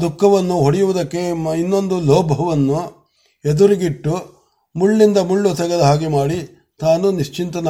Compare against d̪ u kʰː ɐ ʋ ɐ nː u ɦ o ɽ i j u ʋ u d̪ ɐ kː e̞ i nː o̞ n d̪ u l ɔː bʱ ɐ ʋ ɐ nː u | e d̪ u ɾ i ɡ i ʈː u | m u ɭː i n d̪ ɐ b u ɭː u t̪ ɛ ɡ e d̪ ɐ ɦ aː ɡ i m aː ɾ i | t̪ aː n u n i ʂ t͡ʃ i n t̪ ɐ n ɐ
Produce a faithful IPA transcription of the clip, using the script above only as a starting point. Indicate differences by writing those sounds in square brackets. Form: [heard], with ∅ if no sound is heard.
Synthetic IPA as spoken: d̪ u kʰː ɐ ʋ ɐ nː u ɦ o ɽ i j u ʋ u d̪ ɐ kː e̞ i nː o̞ n d̪ u l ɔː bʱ ɐ ʋ ɐ nː u | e d̪ u ɾ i ɡ i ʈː u | m u ɭː i n d̪ ɐ [m] u ɭː u t̪ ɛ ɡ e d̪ ɐ ɦ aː ɡ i m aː [ɽ] i | t̪ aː n u n i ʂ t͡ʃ i n t̪ ɐ n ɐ